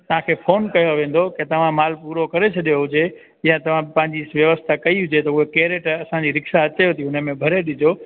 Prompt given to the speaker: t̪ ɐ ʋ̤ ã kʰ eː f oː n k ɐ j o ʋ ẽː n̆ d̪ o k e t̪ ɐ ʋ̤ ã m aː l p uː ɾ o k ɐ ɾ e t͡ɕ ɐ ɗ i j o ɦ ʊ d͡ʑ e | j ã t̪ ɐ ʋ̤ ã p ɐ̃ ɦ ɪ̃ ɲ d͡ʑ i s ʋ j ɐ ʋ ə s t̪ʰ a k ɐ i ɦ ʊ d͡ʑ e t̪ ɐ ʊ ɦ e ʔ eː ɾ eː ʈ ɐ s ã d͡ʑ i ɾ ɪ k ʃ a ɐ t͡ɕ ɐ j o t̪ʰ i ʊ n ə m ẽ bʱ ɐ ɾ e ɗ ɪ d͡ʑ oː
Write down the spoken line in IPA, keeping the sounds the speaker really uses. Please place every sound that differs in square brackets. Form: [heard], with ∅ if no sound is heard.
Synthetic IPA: t̪ ɐ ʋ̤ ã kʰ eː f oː n k ɐ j o ʋ ẽː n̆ d̪ o k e t̪ ɐ ʋ̤ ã m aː l p uː ɾ o k ɐ ɾ e [t͡ɕʰ] ɐ ɗ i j o ɦ ʊ d͡ʑ e | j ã t̪ ɐ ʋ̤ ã p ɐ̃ ɦ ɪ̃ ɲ d͡ʑ i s ʋ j ɐ ʋ ə s t̪ʰ a k ɐ i ɦ ʊ d͡ʑ e t̪ ɐ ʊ ɦ e [k] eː ɾ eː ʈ ɐ s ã d͡ʑ i ɾ ɪ k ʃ a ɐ t͡ɕ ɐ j o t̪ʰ i ʊ n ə m ẽ bʱ ɐ ɾ e ɗ ɪ d͡ʑ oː